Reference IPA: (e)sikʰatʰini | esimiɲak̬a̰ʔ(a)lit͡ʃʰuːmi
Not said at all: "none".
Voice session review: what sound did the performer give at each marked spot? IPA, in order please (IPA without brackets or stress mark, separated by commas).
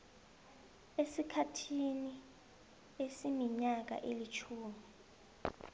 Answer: e, e